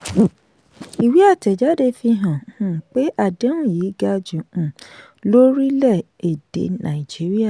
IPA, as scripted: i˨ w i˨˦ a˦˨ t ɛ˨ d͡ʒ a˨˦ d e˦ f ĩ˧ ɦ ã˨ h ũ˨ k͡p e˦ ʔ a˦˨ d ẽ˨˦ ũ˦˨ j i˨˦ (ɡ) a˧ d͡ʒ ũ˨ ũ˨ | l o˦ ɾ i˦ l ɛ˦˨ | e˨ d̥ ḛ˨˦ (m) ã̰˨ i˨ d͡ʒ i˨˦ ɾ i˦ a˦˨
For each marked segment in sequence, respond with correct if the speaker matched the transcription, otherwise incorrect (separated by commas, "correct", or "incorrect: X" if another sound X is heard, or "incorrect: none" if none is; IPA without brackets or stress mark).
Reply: correct, incorrect: n